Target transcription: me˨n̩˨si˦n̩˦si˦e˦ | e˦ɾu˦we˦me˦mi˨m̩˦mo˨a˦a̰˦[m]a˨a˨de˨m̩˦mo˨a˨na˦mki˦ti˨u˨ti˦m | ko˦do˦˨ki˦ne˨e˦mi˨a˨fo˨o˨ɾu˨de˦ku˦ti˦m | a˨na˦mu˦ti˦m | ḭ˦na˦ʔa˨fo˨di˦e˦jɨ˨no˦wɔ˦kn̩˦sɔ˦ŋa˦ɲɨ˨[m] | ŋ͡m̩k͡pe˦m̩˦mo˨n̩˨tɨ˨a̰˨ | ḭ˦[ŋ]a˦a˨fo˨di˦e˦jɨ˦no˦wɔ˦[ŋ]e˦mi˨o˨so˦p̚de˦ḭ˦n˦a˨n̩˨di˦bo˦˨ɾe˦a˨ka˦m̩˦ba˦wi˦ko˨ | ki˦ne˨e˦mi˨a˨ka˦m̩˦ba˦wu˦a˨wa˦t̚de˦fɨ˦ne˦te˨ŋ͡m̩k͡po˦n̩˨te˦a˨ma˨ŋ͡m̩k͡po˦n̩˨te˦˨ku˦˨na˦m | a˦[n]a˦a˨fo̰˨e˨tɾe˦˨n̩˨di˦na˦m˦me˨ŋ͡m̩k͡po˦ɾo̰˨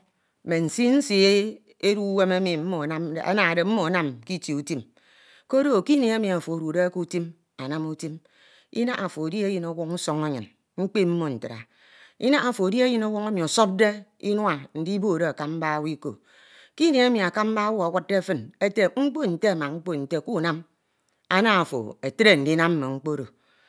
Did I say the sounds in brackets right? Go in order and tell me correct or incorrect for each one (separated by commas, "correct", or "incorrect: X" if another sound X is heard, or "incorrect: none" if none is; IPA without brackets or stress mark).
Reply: incorrect: n, incorrect: n, incorrect: n, correct, correct